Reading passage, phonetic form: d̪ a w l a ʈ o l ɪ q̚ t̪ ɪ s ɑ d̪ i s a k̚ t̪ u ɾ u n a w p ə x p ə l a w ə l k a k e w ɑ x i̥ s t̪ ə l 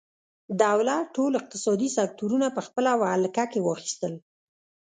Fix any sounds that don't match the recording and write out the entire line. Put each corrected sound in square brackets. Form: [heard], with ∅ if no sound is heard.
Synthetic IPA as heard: d̪ a w l a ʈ o l ɪ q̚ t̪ ɪ s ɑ d̪ i s a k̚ t̪ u ɾ u n a [∅] p ə x p ə l a w [a] l k a k e w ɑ x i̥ s t̪ ə l